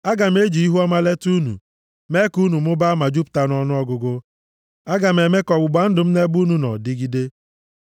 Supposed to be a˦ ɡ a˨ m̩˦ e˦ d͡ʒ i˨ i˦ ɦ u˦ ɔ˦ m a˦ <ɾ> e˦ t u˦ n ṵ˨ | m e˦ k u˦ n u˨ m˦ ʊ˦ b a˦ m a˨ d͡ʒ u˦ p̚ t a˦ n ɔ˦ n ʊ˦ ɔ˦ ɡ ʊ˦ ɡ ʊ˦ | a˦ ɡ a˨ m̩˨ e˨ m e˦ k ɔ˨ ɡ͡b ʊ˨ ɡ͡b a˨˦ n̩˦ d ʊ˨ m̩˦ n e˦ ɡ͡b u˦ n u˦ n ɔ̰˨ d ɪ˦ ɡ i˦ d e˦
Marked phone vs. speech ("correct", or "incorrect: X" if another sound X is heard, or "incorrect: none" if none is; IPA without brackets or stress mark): incorrect: l